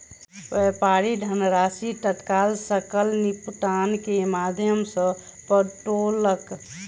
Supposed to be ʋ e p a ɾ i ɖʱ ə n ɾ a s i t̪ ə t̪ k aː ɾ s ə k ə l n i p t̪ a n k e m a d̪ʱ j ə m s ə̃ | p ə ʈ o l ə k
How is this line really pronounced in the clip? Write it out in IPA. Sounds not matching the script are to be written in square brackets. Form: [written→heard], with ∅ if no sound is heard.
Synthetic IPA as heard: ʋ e p a ɾ i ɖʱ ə n ɾ a s i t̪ ə t̪ k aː [ɾ→l] s ə k ə l n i p t̪ a n k e m a d̪ʱ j ə m s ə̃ | p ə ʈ o l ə k

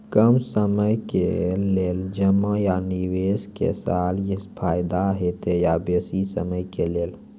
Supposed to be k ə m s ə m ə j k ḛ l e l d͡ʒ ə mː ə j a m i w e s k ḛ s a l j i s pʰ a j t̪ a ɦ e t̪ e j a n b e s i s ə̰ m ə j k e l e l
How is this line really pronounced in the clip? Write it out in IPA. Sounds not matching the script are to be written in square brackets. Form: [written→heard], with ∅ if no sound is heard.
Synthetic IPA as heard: k ə m s ə m ə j k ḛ l e l d͡ʒ ə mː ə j a [m→n] i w e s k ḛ s a l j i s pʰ a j [t̪→d̪] a ɦ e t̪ e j a [n→∅] b e s i s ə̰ m ə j k e l e l

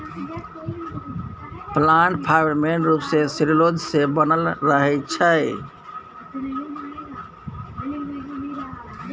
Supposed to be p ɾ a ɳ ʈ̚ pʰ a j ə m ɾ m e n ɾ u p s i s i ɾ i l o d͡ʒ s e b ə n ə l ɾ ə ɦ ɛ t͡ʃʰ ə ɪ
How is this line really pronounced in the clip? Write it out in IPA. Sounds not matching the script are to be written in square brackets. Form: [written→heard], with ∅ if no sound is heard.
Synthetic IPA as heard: p [ɾ→l] a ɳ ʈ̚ pʰ a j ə [m→∅] ɾ m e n ɾ u p s [i→e] s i ɾ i l o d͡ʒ s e b ə n ə l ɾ ə ɦ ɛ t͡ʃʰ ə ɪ

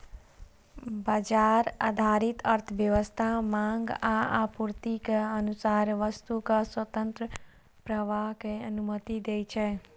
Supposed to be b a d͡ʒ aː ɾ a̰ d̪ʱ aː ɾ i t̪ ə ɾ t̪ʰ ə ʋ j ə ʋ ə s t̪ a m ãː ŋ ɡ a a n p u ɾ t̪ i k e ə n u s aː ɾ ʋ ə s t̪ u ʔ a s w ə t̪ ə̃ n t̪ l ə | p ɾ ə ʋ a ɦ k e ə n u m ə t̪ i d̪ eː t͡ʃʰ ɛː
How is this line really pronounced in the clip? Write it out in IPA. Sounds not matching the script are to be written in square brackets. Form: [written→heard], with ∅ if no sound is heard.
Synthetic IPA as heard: b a d͡ʒ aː ɾ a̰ d̪ʱ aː ɾ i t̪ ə ɾ t̪ʰ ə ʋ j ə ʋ ə s [t̪→t̪ʰ] a m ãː ŋ ɡ a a [n→∅] p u ɾ t̪ i k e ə n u s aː ɾ ʋ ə s t̪ u [ʔ→k] a s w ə t̪ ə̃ n t̪ [l→ɾ] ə | p ɾ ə ʋ a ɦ k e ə n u m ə t̪ i d̪ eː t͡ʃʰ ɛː

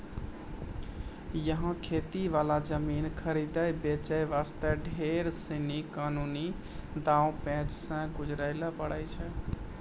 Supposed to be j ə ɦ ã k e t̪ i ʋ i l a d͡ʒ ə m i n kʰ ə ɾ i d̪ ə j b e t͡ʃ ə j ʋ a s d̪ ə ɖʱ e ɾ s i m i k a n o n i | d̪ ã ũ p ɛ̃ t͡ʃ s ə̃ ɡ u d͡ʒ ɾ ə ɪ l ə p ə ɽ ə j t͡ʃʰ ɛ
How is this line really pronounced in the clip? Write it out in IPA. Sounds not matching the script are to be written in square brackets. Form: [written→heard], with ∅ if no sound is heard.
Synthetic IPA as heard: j ə ɦ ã [k→kʰ] e t̪ i ʋ [i→a] l a d͡ʒ ə m i n kʰ ə ɾ i d̪ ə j b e t͡ʃ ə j ʋ a s [d̪→t̪] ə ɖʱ e ɾ s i [m→n] i k a n [o→u] n i | d̪ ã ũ p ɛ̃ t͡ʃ s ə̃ ɡ u d͡ʒ ɾ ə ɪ l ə p ə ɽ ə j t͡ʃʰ ɛ

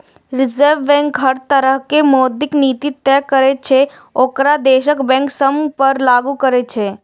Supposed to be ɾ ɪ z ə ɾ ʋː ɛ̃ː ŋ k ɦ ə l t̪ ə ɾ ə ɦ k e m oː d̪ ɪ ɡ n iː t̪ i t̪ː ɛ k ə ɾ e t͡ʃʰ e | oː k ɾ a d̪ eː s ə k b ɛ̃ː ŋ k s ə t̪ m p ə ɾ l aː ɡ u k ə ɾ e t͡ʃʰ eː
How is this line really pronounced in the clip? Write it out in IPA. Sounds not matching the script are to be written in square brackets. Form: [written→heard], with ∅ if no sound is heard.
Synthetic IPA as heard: ɾ ɪ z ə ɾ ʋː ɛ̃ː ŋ k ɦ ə [l→ɾ] t̪ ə ɾ ə ɦ k e m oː d̪ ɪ [ɡ→k] n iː t̪ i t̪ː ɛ k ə ɾ e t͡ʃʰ e | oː k ɾ a d̪ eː [s→ʃ] ə k b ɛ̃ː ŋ k s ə [t̪→∅] m p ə ɾ l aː ɡ u k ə ɾ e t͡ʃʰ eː

